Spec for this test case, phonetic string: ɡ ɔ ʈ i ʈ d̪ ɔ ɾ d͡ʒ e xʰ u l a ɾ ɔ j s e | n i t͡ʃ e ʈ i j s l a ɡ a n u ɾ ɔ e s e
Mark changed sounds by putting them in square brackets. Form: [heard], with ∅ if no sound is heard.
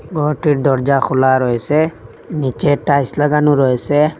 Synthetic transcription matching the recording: ɡ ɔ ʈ i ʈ d̪ ɔ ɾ d͡ʒ [a] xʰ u l a ɾ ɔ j s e | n i t͡ʃ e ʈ [a] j s l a ɡ a n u ɾ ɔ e s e